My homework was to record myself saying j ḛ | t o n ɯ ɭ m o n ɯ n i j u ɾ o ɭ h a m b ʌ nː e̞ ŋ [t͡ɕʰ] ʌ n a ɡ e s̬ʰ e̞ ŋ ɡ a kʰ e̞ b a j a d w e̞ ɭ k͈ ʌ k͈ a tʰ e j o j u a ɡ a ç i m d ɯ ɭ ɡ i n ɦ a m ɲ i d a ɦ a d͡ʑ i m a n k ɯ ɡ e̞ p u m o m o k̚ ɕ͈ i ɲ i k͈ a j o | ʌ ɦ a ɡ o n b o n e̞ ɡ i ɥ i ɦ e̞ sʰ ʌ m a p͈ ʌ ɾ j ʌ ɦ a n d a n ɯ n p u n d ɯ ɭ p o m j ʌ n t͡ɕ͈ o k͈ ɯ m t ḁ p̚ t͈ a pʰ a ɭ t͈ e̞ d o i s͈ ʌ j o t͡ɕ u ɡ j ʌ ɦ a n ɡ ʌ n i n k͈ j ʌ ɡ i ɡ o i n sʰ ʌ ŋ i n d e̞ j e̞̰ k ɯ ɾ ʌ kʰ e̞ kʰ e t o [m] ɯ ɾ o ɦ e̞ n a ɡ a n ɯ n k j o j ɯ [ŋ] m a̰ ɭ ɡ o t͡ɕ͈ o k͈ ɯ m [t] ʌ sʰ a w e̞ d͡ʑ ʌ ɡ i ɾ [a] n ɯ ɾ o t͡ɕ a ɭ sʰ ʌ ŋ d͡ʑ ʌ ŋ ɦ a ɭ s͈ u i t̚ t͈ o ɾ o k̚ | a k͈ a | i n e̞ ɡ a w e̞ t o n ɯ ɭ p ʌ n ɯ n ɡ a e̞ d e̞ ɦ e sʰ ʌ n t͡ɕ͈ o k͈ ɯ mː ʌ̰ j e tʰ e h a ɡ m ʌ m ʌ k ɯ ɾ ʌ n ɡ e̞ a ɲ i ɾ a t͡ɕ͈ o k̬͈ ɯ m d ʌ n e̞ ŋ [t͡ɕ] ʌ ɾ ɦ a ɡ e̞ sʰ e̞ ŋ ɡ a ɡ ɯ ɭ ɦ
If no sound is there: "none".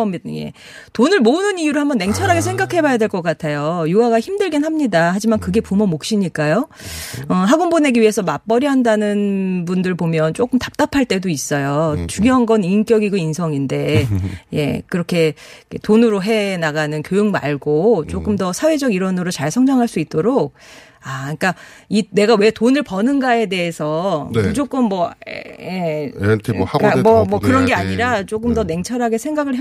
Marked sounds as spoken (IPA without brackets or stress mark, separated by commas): t͡ɕʰ, n, ŋ, d, ʌ, t͡ɕʰ